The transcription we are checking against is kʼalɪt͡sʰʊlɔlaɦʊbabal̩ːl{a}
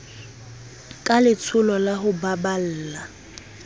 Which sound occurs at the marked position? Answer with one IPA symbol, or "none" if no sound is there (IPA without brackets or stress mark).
a